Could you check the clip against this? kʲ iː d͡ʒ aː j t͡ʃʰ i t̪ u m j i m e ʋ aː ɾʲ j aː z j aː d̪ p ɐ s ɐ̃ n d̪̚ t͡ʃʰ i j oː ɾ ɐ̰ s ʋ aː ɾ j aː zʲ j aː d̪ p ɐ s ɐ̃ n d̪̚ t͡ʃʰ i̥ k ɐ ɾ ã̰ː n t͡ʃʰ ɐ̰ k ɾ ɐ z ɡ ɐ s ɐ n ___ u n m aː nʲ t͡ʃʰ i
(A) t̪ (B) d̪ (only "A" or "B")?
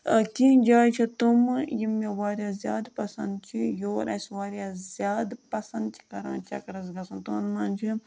A